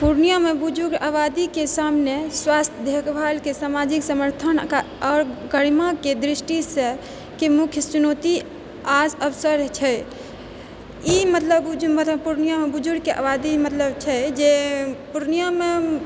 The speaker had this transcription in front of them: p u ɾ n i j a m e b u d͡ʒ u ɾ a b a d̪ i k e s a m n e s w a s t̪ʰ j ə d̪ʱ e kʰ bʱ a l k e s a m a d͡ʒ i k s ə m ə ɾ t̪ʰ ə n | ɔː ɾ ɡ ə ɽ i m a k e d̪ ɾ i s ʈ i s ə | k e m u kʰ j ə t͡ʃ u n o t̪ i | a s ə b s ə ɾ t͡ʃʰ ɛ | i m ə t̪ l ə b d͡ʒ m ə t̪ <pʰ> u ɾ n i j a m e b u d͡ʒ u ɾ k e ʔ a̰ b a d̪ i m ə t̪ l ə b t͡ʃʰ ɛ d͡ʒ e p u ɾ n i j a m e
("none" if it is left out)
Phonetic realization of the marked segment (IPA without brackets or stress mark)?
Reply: p